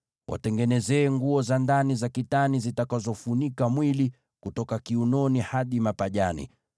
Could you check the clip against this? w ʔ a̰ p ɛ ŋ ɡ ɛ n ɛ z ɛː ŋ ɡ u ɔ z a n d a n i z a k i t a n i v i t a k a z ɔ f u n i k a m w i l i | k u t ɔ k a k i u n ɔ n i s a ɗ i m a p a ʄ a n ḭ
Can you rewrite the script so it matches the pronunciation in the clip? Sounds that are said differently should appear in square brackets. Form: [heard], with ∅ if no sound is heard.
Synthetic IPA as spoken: w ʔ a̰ [t] ɛ ŋ ɡ ɛ n ɛ z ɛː ŋ ɡ u ɔ z a n d a n i z a k i t a n i [z] i t a k a z ɔ f u n i k a m w i l i | k u t ɔ k a k i u n ɔ n i [h] a ɗ i m a p a ʄ a n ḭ